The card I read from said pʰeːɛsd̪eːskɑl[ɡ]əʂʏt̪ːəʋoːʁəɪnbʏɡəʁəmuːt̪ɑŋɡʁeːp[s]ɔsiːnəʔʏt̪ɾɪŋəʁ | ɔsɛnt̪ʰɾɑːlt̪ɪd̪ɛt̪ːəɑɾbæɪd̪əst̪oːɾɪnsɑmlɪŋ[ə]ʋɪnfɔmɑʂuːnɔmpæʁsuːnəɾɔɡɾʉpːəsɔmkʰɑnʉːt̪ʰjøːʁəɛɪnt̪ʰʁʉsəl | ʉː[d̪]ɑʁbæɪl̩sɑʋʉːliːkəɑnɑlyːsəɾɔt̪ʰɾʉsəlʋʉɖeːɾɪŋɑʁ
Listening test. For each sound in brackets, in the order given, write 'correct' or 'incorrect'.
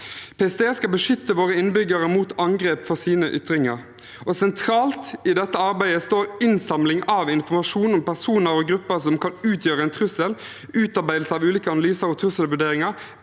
incorrect: b, incorrect: f, incorrect: ɑ, incorrect: t̪

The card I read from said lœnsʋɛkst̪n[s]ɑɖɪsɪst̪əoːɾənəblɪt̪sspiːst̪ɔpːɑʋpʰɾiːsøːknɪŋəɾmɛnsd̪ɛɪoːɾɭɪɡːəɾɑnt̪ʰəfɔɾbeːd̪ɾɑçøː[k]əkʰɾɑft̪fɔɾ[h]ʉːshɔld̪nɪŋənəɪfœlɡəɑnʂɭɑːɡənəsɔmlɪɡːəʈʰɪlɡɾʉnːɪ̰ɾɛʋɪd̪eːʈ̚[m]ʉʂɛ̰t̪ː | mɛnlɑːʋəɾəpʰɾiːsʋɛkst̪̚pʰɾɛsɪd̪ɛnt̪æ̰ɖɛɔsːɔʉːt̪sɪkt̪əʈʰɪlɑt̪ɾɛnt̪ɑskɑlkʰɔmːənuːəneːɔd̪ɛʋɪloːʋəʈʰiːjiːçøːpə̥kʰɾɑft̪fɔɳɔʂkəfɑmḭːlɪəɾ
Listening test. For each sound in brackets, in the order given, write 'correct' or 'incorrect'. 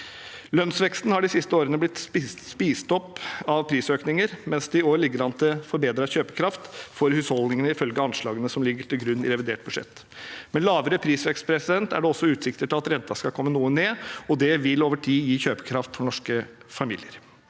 incorrect: h, incorrect: p, correct, incorrect: b

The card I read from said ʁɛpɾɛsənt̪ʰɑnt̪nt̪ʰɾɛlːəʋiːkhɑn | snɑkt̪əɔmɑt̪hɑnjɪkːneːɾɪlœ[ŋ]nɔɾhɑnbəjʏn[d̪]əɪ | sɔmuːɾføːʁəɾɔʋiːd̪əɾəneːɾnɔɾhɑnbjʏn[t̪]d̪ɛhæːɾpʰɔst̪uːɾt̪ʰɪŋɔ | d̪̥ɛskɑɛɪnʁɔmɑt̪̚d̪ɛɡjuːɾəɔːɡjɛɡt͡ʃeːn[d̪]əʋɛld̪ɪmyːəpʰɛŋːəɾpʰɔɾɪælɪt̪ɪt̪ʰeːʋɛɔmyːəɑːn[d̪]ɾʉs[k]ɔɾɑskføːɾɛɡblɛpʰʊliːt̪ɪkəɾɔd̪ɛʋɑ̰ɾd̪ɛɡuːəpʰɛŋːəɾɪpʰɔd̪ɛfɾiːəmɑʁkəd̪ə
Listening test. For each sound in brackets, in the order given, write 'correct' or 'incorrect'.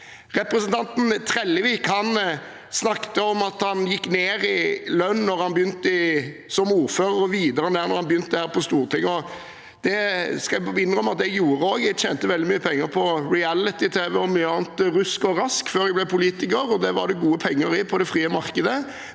incorrect: n, incorrect: t̪, correct, incorrect: t̪, incorrect: t̪, correct

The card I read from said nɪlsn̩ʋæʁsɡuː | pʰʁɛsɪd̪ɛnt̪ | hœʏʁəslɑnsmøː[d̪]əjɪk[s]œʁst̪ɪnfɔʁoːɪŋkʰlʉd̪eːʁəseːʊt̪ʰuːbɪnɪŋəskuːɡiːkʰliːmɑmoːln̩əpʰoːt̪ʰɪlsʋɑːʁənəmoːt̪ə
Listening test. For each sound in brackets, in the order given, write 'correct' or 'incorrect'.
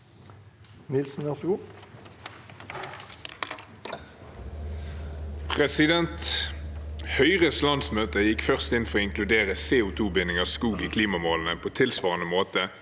incorrect: t̪, incorrect: f

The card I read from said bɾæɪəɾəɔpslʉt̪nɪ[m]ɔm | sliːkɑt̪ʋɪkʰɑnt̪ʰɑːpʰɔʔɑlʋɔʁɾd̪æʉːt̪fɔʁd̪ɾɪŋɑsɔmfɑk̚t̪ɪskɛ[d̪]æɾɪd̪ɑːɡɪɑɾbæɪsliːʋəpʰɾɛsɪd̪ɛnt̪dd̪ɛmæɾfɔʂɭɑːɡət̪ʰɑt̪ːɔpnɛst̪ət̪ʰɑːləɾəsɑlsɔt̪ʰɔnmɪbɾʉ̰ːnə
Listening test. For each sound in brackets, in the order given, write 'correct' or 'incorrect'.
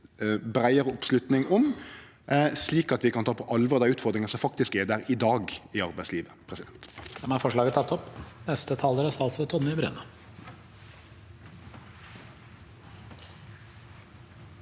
incorrect: ŋ, correct

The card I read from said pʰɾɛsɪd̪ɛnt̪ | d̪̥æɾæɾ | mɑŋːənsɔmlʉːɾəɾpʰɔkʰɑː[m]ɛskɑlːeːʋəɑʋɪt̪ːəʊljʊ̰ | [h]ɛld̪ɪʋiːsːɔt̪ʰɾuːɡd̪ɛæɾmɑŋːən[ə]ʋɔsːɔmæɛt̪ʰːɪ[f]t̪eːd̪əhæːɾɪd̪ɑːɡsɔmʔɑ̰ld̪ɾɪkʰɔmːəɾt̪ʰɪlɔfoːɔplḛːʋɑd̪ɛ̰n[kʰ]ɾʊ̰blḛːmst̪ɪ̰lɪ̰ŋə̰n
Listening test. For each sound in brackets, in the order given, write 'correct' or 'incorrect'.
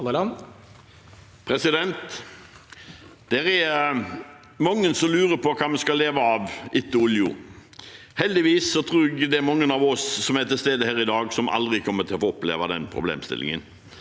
correct, correct, incorrect: ɑ, incorrect: s, incorrect: pʰ

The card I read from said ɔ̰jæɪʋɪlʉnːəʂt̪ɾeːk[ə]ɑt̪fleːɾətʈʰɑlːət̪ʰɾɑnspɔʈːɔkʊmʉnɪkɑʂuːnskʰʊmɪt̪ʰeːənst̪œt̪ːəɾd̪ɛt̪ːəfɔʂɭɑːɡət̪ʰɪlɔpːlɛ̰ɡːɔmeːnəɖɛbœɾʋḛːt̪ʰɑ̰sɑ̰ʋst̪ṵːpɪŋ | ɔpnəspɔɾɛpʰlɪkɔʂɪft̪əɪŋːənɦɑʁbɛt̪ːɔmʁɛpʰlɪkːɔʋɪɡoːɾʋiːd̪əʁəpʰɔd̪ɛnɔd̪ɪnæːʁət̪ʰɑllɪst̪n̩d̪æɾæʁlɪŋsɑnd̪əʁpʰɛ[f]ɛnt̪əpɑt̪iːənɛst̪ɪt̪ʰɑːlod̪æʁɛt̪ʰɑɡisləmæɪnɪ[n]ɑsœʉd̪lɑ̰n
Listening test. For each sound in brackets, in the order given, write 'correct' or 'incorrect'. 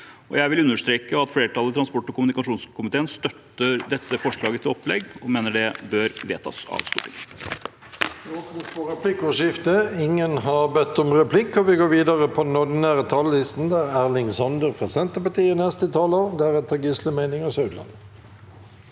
correct, incorrect: s, incorrect: ŋ

